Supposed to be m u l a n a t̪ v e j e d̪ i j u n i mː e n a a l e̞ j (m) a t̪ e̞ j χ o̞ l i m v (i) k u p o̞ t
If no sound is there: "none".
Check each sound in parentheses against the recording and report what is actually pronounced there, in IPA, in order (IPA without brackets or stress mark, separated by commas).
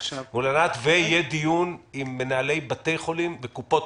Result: b, e